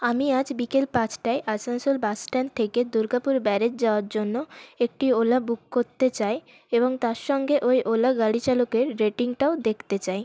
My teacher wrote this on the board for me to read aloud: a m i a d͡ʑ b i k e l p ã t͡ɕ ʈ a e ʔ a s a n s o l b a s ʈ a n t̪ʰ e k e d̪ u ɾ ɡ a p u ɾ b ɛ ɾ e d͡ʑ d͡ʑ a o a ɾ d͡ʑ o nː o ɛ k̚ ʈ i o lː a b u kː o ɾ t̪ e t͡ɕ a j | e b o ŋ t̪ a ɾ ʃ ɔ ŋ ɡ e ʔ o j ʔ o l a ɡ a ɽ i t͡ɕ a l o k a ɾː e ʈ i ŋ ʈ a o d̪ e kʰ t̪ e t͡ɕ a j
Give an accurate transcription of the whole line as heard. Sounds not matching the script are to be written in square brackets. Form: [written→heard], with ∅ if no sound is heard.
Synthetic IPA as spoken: a m i a d͡ʑ b i k e l p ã t͡ɕ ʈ a e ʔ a s a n s o l b a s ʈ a n t̪ʰ e k e d̪ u ɾ ɡ a p u ɾ b ɛ ɾ e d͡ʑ d͡ʑ a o a ɾ d͡ʑ o nː o [ɛ→e] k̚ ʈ i o [lː→l] a b u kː o ɾ t̪ e t͡ɕ a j | e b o ŋ t̪ a ɾ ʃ ɔ ŋ ɡ e ʔ o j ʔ o l a ɡ a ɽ i t͡ɕ a l o k [a→e] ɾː e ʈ i ŋ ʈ a o d̪ e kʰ t̪ e t͡ɕ a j